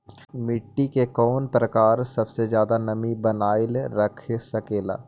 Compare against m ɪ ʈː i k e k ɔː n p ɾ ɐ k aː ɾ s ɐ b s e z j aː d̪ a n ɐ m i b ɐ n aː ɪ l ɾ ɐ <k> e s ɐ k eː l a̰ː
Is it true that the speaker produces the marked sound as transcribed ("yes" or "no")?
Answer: no